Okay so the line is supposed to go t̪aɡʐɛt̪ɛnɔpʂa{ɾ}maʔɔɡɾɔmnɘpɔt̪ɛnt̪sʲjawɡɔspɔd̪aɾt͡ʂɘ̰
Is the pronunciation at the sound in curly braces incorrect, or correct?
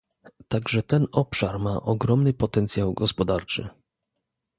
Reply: correct